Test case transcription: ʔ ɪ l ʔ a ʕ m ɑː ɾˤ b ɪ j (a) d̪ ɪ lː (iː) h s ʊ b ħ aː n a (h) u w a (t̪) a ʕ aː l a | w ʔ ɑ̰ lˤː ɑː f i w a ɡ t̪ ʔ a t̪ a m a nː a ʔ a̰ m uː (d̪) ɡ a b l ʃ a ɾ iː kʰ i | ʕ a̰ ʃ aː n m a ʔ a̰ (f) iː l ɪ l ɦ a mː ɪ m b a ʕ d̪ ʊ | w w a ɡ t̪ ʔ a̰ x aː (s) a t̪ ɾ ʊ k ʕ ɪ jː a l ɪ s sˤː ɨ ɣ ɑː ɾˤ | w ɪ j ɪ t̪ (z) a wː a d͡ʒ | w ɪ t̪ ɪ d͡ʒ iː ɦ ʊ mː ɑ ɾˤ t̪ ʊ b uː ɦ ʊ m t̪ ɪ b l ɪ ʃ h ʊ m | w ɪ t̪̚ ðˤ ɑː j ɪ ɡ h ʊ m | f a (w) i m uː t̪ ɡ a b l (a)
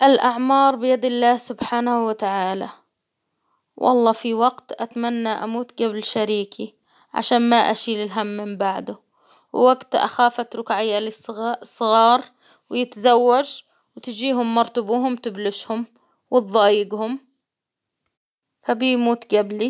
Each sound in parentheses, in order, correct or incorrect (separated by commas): correct, incorrect, correct, correct, incorrect, incorrect, incorrect, correct, incorrect, incorrect